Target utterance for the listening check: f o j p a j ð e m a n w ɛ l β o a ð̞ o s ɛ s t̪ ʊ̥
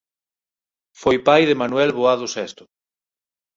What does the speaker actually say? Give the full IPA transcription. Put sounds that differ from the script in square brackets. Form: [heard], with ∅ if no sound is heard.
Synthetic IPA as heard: f o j p a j ð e m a n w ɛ l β o a ð̞ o s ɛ s t̪ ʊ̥